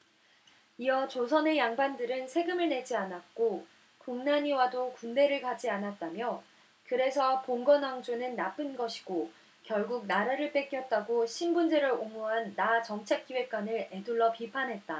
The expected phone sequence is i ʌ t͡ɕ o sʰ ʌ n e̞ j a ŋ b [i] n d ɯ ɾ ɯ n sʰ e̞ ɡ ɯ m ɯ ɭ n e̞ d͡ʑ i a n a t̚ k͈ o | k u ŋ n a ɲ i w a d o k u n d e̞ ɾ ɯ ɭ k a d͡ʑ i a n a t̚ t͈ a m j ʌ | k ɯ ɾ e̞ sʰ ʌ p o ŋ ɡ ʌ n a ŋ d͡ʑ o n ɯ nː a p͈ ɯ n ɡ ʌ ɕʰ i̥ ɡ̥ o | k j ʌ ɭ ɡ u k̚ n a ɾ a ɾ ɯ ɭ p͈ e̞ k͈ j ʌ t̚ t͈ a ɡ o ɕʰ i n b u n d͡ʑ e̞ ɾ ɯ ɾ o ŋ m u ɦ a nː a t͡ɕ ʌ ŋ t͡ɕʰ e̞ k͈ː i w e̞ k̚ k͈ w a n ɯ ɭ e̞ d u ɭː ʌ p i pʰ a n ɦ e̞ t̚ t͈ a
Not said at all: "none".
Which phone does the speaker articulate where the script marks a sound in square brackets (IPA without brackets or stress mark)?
a